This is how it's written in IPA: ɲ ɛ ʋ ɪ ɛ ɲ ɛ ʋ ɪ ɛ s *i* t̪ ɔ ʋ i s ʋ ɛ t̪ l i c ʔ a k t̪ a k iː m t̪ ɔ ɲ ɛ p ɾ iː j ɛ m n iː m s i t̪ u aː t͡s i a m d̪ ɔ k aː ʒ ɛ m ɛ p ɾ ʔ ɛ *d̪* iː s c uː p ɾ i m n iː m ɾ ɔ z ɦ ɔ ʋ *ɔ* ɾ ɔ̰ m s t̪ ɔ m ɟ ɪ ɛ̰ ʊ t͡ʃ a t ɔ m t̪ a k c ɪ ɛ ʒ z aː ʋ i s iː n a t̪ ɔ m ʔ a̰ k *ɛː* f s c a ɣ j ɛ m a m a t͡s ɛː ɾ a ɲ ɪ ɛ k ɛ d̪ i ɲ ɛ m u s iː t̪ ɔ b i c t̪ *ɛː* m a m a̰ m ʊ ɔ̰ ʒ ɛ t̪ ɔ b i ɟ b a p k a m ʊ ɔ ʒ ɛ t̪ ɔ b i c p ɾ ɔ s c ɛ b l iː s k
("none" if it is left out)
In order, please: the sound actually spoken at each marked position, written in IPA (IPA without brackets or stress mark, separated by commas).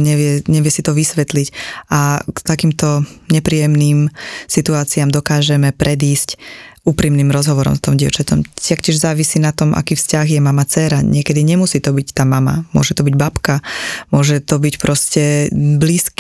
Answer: i, d̪, ɔ, iː, aː